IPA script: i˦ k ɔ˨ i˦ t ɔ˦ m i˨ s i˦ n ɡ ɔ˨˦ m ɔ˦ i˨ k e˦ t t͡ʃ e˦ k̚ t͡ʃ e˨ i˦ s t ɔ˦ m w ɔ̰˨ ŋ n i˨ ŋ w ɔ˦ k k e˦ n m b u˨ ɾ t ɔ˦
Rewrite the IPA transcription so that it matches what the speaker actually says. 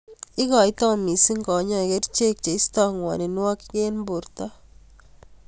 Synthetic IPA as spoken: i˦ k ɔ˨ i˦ t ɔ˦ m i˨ s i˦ ŋ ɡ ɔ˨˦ ɲ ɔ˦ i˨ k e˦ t t͡ʃ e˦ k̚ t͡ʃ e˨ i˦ s t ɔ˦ ŋ w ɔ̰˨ n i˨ n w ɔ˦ k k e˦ n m b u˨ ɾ t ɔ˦

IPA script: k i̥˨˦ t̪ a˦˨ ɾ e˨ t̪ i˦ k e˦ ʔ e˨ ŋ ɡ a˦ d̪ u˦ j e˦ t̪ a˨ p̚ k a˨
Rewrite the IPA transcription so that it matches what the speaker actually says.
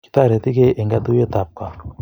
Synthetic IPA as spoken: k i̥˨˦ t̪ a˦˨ ɾ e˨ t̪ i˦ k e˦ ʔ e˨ ŋ ɡ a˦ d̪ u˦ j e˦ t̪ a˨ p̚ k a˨

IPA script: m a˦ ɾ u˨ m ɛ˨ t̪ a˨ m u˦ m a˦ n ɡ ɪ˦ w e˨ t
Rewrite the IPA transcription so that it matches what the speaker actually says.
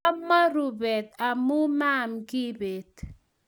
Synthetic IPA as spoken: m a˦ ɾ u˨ b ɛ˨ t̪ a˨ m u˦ m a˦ m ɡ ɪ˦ b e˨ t

